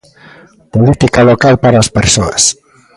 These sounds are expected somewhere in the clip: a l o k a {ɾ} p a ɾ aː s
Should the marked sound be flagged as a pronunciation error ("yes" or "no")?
yes